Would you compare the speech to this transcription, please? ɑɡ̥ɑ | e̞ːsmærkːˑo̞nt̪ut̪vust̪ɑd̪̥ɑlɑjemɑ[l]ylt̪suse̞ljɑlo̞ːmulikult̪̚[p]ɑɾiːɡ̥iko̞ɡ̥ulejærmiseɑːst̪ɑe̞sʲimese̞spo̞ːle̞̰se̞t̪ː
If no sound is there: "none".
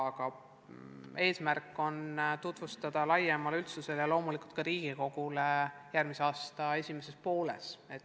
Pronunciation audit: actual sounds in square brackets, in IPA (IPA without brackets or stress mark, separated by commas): l, k